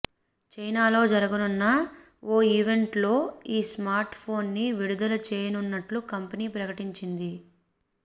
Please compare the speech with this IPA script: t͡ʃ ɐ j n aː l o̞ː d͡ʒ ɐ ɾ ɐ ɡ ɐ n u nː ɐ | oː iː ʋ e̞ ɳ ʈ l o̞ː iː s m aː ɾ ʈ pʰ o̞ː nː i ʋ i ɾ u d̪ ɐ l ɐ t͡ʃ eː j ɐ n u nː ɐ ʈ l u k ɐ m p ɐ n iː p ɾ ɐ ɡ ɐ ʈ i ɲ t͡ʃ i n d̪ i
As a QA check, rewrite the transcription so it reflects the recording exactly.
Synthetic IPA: t͡ʃ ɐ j n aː l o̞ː d͡ʒ ɐ ɾ ɐ ɡ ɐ n u nː ɐ | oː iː ʋ e̞ ɳ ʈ l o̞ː iː s m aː ɾ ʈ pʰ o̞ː nː i ʋ i ɽ u d̪ ɐ l ɐ t͡ʃ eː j ɐ n u nː ɐ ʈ l u k ɐ m p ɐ n iː p ɾ ɐ k ɐ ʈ i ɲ t͡ʃ i n d̪ i